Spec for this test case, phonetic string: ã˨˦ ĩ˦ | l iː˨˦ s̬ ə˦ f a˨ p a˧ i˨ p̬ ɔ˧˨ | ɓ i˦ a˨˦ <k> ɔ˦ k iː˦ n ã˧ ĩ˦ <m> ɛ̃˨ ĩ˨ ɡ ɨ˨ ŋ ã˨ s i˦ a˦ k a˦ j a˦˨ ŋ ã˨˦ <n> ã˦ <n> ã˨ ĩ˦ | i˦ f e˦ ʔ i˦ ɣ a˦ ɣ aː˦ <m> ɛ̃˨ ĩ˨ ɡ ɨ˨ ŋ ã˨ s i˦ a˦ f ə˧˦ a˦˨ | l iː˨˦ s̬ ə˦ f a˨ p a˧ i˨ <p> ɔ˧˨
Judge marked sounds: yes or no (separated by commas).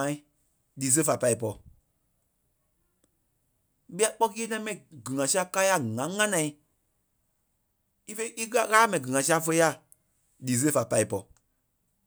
no, yes, no, yes, yes, yes